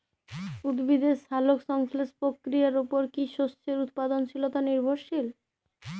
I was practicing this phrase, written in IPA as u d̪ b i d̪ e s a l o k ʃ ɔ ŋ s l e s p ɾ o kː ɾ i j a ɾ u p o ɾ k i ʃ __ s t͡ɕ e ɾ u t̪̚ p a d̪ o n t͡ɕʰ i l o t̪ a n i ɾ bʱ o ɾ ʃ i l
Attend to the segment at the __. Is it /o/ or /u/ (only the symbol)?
o